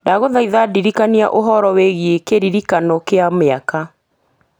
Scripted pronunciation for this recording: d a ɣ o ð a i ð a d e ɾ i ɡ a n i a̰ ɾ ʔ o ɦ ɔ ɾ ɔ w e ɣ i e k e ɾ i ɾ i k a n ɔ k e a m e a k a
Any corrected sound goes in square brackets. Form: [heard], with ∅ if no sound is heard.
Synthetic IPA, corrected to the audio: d a ɣ o ð a i ð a d [i] ɾ i [k] a n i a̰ [∅] ʔ o ɦ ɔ ɾ ɔ w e ɣ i e k e ɾ i ɾ i k a n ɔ k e a m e a k a